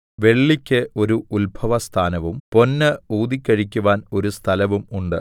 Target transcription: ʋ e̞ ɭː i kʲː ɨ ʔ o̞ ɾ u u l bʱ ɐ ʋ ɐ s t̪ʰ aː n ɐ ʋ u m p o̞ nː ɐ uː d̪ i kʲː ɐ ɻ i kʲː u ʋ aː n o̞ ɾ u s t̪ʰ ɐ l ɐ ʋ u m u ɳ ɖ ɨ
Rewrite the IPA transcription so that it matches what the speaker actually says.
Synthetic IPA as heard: ʋ e̞ ɭː i kʲː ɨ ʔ o̞ ɾ u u l bʱ ɐ ʋ ɐ s t̪ʰ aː n ɐ ʋ u m p o̞ nː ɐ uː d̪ i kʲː ɐ ɻ i kʲː u ʋ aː n o̞ ɾ u s t̪ʰ ɐ l ɐ ʋ u m u ɳ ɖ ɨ